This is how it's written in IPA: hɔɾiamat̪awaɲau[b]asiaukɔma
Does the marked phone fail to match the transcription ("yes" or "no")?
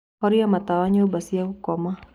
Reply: no